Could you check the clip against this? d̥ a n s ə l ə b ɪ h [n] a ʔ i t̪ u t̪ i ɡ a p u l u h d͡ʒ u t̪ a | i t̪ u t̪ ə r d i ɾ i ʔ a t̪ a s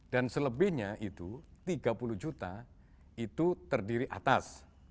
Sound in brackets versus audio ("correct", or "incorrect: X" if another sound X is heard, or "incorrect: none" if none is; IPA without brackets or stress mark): incorrect: ɲ